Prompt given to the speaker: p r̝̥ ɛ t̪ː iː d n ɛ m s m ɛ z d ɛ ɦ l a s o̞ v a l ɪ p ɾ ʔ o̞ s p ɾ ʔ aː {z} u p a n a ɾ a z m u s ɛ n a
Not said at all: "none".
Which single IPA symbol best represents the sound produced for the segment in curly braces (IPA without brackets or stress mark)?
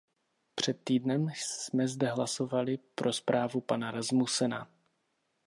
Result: v